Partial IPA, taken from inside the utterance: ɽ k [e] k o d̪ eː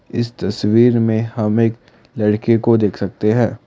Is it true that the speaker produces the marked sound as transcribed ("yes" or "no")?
yes